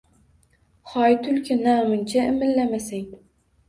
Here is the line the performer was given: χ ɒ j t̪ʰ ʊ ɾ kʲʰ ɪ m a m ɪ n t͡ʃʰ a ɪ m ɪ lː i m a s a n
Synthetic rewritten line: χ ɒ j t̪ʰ ʊ l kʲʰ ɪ n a m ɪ n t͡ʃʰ a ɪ m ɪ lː a m a s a ŋ